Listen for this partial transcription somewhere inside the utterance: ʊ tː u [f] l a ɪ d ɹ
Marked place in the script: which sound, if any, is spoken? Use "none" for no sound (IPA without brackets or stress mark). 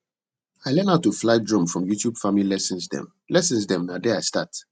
f